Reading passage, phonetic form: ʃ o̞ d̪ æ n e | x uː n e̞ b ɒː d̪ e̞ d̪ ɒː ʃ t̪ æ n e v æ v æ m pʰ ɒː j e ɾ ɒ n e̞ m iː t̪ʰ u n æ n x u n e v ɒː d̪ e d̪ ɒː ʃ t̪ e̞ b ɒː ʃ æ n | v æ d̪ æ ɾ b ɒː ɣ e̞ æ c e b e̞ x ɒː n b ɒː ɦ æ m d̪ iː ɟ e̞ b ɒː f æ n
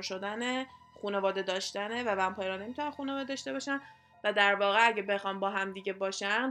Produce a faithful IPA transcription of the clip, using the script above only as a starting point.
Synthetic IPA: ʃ o̞ d̪ æ n e | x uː n e̞ v ɒː d̪ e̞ d̪ ɒː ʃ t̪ æ n e v æ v æ m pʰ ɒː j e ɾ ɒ n e̞ m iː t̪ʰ u n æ n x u n e v ɒː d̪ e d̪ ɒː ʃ t̪ e̞ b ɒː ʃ æ n | v æ d̪ æ ɾ v ɒː ɣ e̞ æ ɟ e b e̞ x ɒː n b ɒː ɦ æ m d̪ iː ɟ e̞ b ɒː ʃ æ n